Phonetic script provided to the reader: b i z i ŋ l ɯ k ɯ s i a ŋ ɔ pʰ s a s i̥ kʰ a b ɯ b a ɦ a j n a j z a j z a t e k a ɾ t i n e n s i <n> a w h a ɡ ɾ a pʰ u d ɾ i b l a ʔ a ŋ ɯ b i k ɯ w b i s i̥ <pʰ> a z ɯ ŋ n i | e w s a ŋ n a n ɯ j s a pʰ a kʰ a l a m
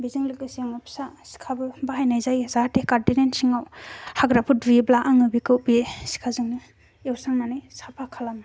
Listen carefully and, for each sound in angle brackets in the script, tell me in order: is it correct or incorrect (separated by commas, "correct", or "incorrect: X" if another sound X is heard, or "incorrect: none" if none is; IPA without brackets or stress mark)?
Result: incorrect: ŋ, incorrect: kʰ